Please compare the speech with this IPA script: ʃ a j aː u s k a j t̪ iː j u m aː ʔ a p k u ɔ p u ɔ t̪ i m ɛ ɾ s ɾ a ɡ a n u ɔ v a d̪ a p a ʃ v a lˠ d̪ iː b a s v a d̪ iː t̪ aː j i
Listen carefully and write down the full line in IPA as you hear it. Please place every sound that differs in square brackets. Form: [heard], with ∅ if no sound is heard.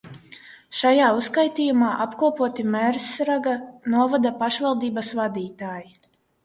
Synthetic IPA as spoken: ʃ a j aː u s k a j t̪ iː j u m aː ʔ a p k u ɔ p u ɔ t̪ i m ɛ ɾ s ɾ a ɡ a n u ɔ v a d̪ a p a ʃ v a lˠ d̪ iː b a s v a d̪ iː t̪ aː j i